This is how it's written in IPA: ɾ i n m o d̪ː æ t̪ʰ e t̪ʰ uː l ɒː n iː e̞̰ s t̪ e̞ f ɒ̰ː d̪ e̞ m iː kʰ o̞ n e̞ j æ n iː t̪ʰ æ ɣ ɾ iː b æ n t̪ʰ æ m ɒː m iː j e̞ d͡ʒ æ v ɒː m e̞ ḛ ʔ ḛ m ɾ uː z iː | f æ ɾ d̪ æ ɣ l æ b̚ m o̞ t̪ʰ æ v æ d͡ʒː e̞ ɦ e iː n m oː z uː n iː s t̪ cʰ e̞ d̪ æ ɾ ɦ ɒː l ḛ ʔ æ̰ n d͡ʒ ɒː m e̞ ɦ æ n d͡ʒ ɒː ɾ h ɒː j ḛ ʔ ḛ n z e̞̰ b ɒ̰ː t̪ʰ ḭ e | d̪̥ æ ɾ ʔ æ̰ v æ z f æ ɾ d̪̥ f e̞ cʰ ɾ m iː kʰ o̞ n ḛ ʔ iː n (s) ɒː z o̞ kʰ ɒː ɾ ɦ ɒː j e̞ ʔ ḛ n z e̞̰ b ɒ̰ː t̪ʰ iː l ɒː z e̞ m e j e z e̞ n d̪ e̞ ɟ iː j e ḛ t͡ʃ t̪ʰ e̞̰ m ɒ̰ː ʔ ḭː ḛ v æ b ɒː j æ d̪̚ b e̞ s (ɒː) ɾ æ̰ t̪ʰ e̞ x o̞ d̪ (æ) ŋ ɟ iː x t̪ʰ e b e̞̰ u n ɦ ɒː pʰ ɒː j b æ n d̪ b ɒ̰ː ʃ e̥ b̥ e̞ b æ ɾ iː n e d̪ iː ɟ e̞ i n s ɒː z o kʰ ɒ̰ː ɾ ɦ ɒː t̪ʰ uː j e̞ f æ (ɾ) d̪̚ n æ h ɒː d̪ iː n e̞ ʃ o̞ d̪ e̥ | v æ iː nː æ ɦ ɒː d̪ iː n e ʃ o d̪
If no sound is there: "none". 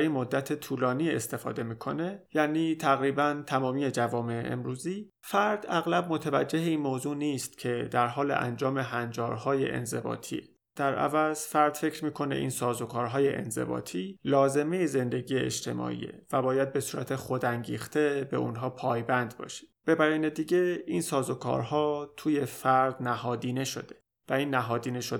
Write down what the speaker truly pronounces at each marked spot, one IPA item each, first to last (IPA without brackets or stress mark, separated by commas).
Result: s, uː, æ, ɾ